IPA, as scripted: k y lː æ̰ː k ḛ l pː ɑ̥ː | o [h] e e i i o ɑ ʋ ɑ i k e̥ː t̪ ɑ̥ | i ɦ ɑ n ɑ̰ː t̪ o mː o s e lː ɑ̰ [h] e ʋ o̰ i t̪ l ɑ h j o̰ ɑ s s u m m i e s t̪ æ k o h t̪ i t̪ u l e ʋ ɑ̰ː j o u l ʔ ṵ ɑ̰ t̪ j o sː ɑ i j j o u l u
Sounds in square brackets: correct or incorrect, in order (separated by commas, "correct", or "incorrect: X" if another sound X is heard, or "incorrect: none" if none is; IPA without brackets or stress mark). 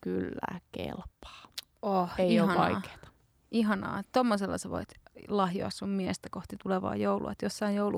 correct, incorrect: s